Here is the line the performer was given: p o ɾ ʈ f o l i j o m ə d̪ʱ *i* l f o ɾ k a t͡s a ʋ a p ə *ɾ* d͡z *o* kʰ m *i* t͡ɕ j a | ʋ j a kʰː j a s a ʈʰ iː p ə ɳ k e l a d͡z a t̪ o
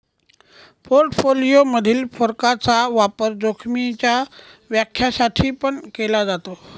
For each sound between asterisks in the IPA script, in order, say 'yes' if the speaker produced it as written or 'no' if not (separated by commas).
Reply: no, yes, yes, yes